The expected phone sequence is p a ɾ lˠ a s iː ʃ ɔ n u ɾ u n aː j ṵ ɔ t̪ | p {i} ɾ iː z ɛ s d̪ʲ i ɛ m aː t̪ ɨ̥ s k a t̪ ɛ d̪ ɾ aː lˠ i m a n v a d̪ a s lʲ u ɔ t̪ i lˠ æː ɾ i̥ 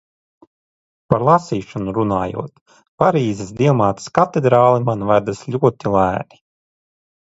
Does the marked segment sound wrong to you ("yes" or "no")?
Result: yes